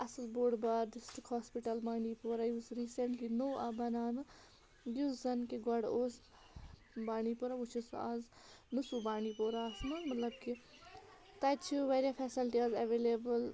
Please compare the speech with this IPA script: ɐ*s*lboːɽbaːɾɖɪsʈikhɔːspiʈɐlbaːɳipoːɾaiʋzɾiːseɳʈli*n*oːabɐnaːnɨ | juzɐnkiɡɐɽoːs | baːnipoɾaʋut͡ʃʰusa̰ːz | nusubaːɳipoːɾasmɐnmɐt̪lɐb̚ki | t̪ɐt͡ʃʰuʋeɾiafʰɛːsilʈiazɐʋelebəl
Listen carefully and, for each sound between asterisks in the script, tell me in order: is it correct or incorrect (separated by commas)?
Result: correct, correct